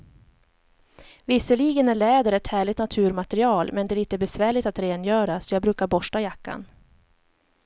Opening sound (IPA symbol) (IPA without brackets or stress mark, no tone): v